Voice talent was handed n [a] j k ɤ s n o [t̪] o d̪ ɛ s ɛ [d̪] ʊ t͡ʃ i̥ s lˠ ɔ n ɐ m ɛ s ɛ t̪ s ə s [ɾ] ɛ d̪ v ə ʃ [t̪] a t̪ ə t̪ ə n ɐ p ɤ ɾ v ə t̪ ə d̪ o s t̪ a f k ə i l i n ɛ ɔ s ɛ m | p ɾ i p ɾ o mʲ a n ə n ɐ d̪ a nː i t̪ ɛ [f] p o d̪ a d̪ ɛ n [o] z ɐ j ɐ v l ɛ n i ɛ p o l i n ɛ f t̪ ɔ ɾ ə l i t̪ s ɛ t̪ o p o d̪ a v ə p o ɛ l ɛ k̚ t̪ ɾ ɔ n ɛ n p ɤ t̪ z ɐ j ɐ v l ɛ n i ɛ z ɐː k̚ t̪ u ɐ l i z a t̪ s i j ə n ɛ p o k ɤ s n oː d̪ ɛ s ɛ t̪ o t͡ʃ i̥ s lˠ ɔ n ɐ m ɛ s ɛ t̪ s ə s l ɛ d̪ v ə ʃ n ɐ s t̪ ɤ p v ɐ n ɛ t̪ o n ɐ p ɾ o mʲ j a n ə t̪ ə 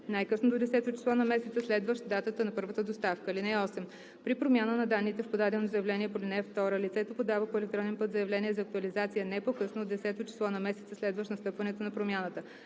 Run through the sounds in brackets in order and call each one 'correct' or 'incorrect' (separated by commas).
correct, incorrect, incorrect, incorrect, incorrect, correct, correct